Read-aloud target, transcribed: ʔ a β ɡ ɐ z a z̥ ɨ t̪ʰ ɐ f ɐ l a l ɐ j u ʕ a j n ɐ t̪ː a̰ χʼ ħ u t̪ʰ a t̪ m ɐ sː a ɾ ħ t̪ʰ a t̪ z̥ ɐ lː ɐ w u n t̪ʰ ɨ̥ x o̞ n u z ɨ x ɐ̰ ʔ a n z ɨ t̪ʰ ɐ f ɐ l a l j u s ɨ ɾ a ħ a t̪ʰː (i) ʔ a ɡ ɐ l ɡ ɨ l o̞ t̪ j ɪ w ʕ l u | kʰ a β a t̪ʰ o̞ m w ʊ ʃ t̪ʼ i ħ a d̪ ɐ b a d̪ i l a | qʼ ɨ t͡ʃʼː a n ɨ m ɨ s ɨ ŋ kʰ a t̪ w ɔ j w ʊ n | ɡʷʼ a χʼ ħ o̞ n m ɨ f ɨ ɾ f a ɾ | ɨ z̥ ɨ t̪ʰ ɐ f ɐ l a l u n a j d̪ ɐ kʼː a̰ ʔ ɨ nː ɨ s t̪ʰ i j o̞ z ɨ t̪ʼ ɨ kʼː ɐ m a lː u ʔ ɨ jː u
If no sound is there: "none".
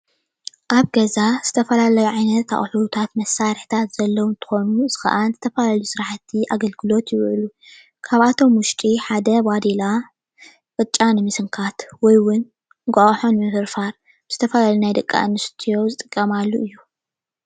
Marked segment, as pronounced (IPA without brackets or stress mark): i